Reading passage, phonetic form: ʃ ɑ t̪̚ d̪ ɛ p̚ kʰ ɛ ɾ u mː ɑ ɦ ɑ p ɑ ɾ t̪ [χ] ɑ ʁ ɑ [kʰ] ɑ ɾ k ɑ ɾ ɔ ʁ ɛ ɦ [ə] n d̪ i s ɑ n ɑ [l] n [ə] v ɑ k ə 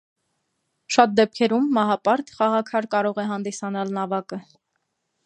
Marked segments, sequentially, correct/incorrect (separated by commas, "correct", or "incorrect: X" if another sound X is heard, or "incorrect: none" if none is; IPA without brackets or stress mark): correct, correct, incorrect: ɑ, correct, incorrect: ɑ